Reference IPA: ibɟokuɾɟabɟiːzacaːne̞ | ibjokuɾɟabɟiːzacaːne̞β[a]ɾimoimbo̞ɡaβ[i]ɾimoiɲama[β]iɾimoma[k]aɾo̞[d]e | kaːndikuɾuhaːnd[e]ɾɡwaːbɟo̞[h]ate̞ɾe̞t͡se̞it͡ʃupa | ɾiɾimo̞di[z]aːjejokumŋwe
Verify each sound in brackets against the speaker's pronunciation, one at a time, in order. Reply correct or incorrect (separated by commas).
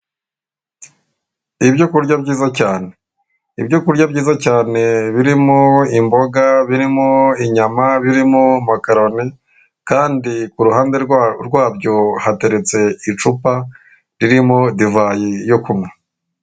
incorrect, correct, correct, correct, incorrect, correct, correct, incorrect